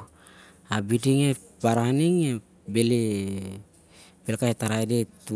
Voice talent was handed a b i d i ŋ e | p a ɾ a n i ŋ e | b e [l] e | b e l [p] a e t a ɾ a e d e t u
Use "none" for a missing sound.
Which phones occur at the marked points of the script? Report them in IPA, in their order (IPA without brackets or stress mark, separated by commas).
l, k